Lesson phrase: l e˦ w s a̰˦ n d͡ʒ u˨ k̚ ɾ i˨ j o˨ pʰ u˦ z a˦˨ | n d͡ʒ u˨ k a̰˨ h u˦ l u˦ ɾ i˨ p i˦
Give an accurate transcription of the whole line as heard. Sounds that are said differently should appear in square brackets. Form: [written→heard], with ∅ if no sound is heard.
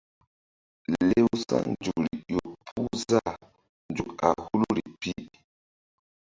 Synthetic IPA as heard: l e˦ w s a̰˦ n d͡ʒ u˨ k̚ ɾ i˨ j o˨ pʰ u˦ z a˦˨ | n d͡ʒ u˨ k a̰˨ h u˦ l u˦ ɾ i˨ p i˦